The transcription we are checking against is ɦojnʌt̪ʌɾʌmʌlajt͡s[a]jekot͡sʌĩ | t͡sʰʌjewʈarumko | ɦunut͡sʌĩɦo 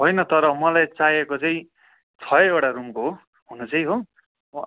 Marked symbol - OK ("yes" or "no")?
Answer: yes